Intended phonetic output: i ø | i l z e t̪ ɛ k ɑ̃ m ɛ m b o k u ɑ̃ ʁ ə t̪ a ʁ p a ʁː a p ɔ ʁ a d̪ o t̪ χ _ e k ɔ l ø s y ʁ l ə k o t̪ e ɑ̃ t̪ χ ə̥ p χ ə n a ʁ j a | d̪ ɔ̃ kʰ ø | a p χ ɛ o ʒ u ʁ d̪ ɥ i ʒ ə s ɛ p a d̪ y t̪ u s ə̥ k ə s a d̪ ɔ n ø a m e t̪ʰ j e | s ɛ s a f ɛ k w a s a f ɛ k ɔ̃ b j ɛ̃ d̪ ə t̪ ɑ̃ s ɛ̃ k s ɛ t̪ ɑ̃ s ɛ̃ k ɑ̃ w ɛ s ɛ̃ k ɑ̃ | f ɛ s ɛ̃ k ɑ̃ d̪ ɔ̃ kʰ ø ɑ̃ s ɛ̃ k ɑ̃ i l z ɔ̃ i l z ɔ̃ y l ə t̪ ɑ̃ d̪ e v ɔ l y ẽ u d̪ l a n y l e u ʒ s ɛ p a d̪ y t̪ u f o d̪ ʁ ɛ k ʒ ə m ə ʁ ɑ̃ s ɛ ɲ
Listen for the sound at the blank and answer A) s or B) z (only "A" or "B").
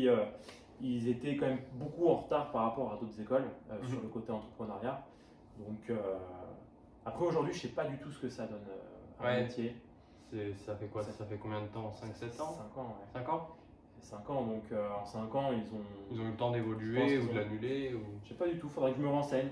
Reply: B